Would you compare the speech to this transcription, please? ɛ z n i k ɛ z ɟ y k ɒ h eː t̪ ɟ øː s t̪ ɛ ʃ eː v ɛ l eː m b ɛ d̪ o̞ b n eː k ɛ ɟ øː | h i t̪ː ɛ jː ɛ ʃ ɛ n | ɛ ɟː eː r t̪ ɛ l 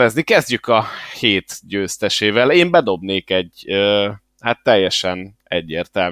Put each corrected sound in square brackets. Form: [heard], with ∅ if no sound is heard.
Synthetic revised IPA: ɛ z n i k ɛ z ɟ y k ɒ h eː t̪ ɟ øː s t̪ ɛ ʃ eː v ɛ l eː m b ɛ d̪ o̞ b n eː k ɛ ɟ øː | h [a] t̪ː ɛ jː ɛ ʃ ɛ n | ɛ ɟː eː r t̪ ɛ l